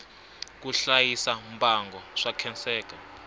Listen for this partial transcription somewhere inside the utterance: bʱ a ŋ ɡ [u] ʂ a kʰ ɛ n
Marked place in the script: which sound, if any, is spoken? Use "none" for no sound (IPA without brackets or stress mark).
ɔ